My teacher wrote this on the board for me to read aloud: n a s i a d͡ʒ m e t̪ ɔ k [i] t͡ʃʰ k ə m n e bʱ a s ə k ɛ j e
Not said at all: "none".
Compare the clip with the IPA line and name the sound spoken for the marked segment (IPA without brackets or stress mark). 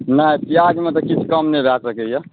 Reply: i